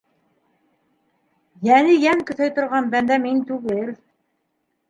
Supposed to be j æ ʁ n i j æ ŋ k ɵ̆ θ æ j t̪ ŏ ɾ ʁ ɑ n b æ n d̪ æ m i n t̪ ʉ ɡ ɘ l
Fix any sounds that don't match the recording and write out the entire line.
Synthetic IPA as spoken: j æ n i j æ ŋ k ɵ̆ θ æ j t̪ ŏ ɾ ʁ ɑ n b æ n d̪ æ m i n t̪ ʉ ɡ ɘ l

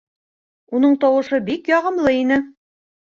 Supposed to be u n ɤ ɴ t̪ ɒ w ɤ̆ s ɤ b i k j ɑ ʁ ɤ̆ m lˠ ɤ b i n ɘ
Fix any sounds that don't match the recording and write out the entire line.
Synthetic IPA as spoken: u n ɤ ɴ t̪ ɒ w ɤ̆ ʃ ɤ b i k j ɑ ʁ ɤ̆ m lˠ ɤ i n ɘ

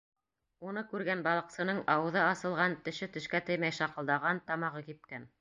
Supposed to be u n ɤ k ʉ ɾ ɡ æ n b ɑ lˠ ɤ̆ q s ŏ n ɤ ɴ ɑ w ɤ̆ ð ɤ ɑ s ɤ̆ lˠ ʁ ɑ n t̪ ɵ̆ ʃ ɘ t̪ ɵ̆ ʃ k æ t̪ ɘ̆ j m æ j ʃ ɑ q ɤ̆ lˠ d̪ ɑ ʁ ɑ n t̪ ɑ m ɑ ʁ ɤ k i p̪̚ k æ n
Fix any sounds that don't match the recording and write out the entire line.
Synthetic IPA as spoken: u n ɤ k ʉ ɾ ɡ æ n b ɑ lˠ ɤ̆ q s ɤ̆ n ɤ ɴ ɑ w ɤ̆ ð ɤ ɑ s ɤ̆ lˠ ʁ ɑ n t̪ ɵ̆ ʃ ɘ t̪ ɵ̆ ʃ k æ t̪ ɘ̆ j m æ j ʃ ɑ q ɤ̆ lˠ d̪ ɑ ʁ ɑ n t̪ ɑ m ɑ ʁ ɤ k i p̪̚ k æ n

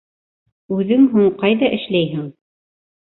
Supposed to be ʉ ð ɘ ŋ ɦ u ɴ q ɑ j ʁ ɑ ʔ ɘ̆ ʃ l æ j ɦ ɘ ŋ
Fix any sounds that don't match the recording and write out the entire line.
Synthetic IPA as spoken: ʉ ð ɘ ŋ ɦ u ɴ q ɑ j ð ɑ ʔ ɘ̆ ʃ l æ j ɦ ɘ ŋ

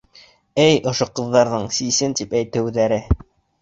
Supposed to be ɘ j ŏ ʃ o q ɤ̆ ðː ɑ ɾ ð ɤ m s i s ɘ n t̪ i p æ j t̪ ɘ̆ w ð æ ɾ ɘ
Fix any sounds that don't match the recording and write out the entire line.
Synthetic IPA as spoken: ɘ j ŏ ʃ o q ɤ̆ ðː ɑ ɾ ð ɤ ɴ s i s ɘ n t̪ i p æ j t̪ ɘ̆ w ð æ ɾ ɘ

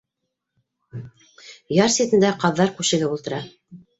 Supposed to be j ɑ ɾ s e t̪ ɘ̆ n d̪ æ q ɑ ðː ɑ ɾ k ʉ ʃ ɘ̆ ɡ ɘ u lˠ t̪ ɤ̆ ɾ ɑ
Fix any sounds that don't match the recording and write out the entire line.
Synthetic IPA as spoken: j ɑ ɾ s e t̪ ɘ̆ n d̪ æ q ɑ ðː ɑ ɾ k ʉ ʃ ɘ̆ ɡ ɘ u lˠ t̪ ɤ̆ ɾ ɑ

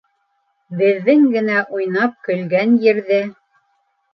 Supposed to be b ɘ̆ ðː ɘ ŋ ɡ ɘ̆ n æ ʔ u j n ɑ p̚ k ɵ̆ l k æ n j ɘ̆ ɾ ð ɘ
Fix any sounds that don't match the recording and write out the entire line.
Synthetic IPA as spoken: b ɘ̆ ðː ɘ ŋ ɡ ɘ̆ n æ ʔ u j n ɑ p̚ k ɵ̆ l ɡ æ n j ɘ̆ ɾ ð ɘ

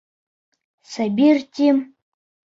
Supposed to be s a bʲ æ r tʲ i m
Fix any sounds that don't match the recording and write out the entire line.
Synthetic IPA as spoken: s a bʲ i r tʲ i m

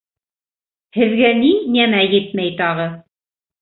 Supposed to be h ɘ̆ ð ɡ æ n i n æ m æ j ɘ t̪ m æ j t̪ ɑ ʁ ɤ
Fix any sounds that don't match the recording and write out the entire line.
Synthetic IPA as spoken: h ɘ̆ ð ɡ æ n i n æ m æ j ɘ t̪ m æ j t̪ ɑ ʁ ɤ

